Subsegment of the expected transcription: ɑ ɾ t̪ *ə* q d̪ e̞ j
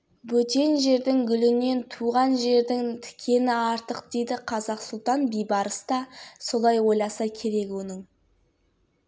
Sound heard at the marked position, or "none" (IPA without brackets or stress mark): ə